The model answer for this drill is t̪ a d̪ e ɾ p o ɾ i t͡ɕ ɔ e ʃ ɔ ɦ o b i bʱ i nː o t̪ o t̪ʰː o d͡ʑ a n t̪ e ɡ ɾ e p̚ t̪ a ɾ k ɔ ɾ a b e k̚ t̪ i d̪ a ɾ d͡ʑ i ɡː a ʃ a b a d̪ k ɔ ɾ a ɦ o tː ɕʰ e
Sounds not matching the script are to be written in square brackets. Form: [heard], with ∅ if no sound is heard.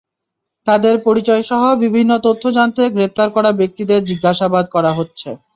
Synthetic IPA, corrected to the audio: t̪ a d̪ e ɾ p o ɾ i t͡ɕ ɔ e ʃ ɔ ɦ o b i bʱ i nː o t̪ o t̪ʰː o d͡ʑ a n t̪ e ɡ ɾ e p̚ t̪ a ɾ k ɔ ɾ a b e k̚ t̪ i d̪ [e] ɾ d͡ʑ i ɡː a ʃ a b a d̪ k ɔ ɾ a ɦ o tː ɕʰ e